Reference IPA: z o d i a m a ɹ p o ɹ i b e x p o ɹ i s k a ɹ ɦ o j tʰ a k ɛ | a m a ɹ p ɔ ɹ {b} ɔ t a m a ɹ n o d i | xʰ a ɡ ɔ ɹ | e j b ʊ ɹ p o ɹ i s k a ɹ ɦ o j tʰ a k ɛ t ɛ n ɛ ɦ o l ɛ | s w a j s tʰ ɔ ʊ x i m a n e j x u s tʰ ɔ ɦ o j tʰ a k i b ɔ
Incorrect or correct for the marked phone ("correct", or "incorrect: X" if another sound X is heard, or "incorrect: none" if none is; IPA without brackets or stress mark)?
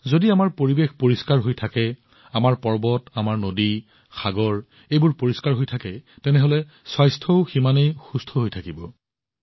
correct